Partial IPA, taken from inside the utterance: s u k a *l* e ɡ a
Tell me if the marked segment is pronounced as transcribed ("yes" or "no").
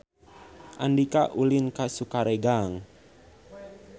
no